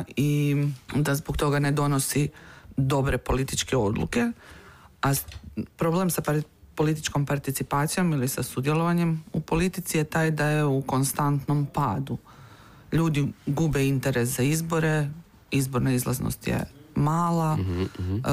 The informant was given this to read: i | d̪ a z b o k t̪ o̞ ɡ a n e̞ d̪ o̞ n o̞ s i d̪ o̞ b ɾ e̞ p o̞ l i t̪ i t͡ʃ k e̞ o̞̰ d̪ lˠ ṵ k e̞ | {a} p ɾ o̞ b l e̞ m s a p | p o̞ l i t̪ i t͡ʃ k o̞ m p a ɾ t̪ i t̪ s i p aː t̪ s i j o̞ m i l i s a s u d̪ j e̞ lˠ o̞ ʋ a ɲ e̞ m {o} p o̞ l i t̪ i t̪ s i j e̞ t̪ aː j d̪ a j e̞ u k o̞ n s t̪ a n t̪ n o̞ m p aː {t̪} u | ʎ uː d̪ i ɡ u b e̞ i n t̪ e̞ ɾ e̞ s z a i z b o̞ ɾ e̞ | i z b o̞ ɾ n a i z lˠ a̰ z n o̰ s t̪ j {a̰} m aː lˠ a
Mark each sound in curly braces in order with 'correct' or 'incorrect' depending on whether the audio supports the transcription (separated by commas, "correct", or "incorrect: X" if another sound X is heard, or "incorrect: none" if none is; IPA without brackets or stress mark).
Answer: correct, incorrect: u, incorrect: d̪, incorrect: ḛ